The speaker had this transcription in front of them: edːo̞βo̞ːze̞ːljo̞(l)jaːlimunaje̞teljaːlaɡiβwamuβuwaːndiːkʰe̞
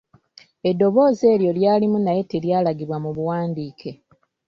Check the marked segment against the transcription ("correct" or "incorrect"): correct